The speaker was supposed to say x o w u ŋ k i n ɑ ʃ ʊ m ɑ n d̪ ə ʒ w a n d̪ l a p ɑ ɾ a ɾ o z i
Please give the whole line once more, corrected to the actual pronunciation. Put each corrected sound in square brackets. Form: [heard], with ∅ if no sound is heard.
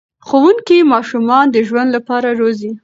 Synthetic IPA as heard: x o w u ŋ k i [m] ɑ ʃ [u] m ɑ n d̪ ə ʒ w a n d̪ l a p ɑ ɾ a ɾ o z i